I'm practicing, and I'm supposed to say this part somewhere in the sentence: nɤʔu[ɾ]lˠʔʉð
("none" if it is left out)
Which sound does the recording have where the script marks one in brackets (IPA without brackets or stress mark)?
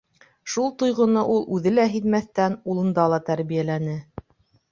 none